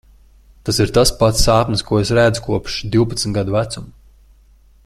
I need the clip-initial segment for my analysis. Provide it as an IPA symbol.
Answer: t̪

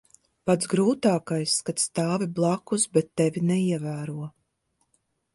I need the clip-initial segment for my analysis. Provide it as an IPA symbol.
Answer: p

